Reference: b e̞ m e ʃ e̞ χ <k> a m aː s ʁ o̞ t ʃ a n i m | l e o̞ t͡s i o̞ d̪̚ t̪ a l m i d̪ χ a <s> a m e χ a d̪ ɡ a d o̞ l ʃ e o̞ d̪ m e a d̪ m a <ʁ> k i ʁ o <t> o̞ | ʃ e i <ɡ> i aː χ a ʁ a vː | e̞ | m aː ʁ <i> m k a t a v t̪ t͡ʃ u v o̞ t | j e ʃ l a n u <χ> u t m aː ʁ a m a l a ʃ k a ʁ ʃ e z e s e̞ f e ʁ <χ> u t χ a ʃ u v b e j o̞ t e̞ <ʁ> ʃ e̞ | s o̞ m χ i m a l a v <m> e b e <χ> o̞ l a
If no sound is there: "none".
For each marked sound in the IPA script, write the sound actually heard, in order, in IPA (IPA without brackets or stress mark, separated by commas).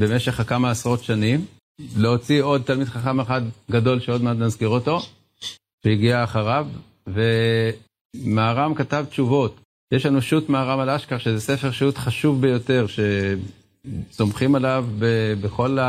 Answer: k, χ, z, t, ɡ, a, ʃ, ʃ, ʁ, b, χ